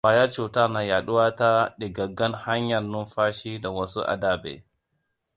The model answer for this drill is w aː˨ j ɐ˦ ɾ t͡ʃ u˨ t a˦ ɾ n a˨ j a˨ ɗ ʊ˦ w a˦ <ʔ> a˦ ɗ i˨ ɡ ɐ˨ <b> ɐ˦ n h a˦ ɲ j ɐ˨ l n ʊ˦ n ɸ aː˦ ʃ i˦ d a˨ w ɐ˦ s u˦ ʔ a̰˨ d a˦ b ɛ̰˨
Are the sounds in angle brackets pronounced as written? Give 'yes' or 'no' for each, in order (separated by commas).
no, no